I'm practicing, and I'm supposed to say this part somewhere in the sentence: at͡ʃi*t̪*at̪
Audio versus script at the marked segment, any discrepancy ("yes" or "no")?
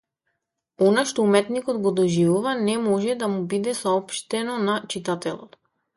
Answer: no